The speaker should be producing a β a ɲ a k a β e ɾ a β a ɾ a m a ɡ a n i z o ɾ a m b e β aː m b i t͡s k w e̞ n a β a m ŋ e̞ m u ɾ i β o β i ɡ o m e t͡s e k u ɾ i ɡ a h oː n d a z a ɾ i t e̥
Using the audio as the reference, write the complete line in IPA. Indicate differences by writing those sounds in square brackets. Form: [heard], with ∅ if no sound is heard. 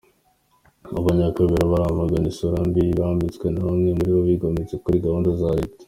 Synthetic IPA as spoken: a β a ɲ a k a β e ɾ a β a ɾ a m a ɡ a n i [s] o ɾ a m b [i] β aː m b i t͡s k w e̞ n a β a m ŋ e̞ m u ɾ i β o β i ɡ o m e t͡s e k u ɾ i ɡ a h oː n d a z a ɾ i t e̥